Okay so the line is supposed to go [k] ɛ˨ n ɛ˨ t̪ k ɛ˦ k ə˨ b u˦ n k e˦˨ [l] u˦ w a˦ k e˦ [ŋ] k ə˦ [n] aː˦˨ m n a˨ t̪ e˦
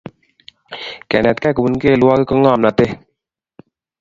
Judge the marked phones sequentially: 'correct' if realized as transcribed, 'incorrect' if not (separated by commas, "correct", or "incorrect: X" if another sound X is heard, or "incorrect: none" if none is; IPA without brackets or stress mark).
correct, correct, incorrect: none, incorrect: ŋ